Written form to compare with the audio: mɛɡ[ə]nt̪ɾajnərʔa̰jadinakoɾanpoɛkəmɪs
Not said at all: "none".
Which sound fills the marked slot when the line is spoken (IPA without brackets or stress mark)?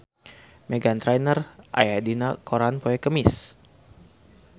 a